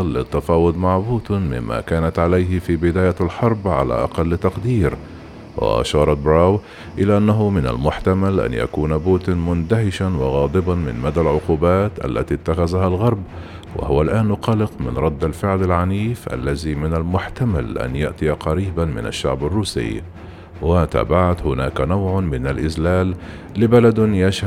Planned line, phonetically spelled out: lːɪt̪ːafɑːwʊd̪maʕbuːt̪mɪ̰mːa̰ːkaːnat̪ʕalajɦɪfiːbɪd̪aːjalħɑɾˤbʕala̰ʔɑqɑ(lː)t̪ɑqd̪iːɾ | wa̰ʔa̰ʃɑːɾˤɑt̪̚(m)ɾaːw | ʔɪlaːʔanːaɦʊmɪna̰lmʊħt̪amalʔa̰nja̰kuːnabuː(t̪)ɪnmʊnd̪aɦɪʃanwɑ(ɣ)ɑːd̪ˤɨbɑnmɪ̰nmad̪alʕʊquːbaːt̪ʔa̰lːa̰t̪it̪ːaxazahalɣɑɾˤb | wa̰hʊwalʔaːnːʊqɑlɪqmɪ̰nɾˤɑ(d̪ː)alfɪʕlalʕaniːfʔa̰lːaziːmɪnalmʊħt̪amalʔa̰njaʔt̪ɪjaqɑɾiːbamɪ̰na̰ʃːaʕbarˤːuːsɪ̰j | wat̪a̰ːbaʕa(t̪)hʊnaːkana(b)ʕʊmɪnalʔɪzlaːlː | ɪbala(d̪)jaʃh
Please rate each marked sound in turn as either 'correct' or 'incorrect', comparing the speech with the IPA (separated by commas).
correct, incorrect, correct, correct, correct, correct, incorrect, correct